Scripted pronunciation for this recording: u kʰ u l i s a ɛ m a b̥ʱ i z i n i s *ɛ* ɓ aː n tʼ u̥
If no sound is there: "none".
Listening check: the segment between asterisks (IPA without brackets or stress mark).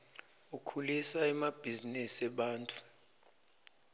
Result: ɛ